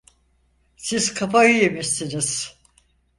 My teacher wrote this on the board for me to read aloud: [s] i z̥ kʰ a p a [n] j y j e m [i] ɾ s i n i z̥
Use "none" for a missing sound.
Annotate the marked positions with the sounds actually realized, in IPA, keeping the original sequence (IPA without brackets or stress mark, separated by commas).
s, none, i